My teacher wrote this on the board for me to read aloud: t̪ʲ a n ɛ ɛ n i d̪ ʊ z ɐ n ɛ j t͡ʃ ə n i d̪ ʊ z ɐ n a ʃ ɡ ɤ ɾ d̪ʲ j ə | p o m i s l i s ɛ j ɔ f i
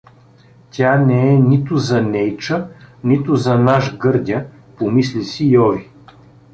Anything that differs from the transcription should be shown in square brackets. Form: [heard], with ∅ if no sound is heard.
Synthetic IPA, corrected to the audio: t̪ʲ a n ɛ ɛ n i [t̪] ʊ z ɐ n ɛ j t͡ʃ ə n i [t̪] ʊ z ɐ n a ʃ ɡ ɤ ɾ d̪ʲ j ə | p o m i s l i s [i] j ɔ [v] i

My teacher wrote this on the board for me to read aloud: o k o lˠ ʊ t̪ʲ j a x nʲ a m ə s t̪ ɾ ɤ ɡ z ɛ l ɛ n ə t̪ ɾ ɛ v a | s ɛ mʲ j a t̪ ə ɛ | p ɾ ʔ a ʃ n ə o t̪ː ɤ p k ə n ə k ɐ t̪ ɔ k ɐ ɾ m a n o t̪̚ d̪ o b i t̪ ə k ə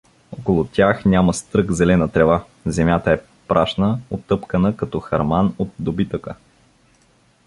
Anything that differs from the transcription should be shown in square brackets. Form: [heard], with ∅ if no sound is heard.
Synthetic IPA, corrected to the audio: o k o lˠ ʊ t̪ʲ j a x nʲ a m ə s t̪ ɾ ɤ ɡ z ɛ l ɛ n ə t̪ ɾ ɛ v a | [z] ɛ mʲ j a t̪ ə ɛ | p ɾ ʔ a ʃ n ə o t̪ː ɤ p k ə n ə k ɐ t̪ ɔ [x] ɐ ɾ m a n o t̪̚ d̪ o b i t̪ ə k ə

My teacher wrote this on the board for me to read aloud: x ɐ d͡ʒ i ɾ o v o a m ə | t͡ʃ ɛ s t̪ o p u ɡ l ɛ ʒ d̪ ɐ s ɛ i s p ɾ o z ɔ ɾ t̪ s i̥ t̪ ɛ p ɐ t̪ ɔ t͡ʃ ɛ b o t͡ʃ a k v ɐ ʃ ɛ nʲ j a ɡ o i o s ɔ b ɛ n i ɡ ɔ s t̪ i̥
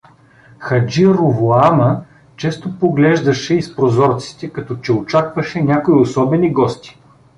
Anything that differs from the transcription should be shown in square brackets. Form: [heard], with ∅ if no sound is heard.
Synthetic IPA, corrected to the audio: x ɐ d͡ʒ i ɾ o v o a m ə | t͡ʃ ɛ s t̪ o p [o] ɡ l ɛ ʒ d̪ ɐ [ʃ] ɛ i s p ɾ o z ɔ ɾ t̪ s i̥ t̪ ɛ [k] ɐ t̪ ɔ t͡ʃ ɛ [∅] o t͡ʃ a k v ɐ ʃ ɛ nʲ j a [k] o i o s ɔ b ɛ n i ɡ ɔ s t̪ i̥

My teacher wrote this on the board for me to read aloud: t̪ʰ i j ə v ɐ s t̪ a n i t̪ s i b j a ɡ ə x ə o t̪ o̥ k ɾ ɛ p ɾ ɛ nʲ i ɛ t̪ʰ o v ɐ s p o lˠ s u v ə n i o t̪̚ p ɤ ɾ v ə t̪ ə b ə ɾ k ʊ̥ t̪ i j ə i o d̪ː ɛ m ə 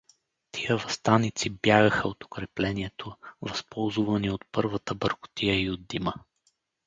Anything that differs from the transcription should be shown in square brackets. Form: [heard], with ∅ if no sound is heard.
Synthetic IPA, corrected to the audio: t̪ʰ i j ə v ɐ s t̪ a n i t̪ s i b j a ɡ ə x ə o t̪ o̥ k ɾ ɛ p [l] ɛ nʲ i ɛ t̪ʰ o v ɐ s p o lˠ [z] u v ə n i o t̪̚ p ɤ ɾ v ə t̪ ə b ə ɾ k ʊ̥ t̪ i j ə i o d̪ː [i] m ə

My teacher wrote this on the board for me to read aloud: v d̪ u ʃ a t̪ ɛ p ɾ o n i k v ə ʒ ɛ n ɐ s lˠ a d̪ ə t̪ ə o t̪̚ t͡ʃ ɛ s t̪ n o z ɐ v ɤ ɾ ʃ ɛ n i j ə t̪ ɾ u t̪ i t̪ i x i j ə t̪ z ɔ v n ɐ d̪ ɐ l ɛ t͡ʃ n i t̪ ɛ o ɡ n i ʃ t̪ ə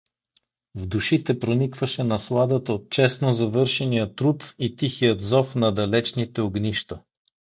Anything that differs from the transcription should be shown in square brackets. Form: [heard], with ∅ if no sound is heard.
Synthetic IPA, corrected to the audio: v d̪ u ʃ [i] t̪ ɛ p ɾ o n i k v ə [ʃ] ɛ n ɐ s lˠ a d̪ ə t̪ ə o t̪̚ t͡ʃ ɛ s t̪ n o z ɐ v ɤ ɾ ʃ ɛ n i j ə t̪ ɾ u t̪ i t̪ i x i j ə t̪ z ɔ [f] n ɐ d̪ ɐ l ɛ t͡ʃ n i t̪ ɛ o ɡ n i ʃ t̪ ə

